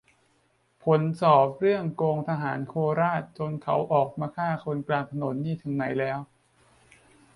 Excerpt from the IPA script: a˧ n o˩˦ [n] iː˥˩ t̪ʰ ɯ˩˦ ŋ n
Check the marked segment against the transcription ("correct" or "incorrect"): incorrect